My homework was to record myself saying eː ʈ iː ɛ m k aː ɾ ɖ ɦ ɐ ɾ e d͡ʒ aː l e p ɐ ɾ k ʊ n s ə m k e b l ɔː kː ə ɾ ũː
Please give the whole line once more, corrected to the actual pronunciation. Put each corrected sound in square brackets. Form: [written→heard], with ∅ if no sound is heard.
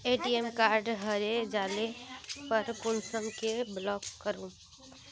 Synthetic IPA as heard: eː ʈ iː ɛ m k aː ɾ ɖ ɦ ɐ ɾ e d͡ʒ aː l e p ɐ ɾ k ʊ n s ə m k e b l ɔː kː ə ɾ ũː